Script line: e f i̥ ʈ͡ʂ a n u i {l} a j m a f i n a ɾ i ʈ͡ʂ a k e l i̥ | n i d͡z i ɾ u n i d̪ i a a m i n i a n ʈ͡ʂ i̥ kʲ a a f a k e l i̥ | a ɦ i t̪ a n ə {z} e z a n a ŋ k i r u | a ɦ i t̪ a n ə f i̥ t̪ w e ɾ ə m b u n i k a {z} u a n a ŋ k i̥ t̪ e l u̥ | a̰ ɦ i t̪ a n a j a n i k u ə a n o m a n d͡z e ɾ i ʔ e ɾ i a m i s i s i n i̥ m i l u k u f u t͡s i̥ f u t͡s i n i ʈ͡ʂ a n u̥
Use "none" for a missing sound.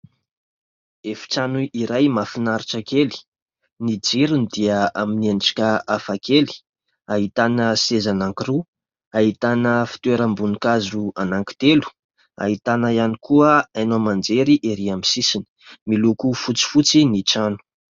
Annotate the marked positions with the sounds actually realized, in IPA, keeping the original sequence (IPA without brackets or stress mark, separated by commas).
ɾ, s, z